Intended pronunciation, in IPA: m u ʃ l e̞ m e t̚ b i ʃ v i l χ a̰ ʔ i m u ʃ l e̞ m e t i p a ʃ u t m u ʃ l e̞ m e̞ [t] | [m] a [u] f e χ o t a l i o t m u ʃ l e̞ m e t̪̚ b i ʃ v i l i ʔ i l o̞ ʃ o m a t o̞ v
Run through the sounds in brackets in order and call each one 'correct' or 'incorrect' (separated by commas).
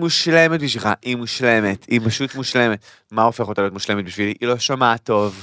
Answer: correct, correct, incorrect